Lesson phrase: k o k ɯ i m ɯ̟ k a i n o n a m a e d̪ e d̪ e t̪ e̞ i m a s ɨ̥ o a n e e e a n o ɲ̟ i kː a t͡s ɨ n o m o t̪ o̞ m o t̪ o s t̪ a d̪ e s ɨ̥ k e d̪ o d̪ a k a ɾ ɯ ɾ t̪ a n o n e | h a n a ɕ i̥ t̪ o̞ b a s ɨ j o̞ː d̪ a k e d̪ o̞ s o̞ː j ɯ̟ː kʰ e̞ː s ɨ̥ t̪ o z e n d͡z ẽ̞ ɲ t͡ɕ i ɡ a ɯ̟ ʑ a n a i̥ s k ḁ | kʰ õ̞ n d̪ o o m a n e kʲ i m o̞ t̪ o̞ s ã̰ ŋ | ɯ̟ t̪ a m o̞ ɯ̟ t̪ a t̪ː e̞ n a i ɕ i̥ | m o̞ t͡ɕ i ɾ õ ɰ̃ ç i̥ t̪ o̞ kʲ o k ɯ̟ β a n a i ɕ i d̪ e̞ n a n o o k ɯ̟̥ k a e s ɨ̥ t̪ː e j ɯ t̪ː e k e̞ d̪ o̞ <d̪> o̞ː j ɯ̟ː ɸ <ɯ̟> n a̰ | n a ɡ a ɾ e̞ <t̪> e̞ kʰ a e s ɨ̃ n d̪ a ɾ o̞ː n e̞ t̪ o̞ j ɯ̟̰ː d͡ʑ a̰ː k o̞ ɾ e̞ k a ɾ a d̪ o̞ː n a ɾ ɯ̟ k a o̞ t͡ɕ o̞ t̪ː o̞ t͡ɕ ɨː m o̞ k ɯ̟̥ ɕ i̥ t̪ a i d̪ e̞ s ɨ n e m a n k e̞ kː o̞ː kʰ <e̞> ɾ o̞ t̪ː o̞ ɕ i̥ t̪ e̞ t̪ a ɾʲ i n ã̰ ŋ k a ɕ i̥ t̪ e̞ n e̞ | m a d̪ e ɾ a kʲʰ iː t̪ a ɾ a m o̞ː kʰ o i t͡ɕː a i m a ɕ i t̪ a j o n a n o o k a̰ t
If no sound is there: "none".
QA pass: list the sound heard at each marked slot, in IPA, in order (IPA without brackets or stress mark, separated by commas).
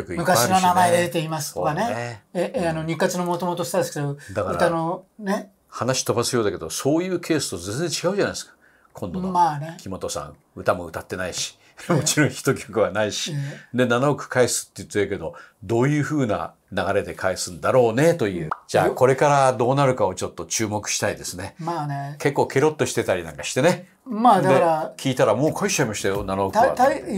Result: d̪, ɯ̟ː, d̪, e̞